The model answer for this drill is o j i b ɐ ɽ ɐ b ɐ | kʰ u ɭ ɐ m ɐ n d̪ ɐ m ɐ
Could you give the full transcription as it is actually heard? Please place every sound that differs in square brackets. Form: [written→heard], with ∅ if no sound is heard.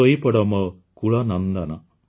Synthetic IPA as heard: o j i [b→p] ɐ ɽ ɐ [b→m] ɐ | [kʰ→k] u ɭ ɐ [m→n] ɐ n d̪ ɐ [m→n] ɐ